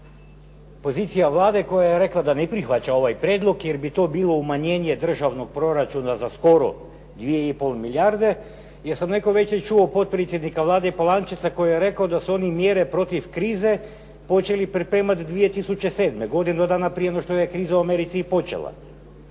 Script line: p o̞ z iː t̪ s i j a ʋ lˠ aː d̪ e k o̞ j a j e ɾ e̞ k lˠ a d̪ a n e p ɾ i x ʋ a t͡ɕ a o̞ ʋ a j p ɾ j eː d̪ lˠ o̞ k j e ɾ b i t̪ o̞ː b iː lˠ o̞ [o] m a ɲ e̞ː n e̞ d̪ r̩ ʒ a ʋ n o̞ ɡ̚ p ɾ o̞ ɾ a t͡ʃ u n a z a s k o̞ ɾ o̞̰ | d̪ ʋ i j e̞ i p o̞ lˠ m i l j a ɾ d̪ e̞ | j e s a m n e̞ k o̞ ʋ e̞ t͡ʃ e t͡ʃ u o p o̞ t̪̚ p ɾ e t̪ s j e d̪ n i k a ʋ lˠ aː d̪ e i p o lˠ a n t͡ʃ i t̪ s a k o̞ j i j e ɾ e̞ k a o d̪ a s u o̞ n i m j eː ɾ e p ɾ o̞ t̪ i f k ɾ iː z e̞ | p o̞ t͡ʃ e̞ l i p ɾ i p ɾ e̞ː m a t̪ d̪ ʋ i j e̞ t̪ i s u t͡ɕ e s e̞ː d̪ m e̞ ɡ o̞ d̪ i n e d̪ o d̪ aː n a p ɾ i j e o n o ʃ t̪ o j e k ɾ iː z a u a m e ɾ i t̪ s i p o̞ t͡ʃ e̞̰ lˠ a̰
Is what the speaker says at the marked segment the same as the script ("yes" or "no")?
no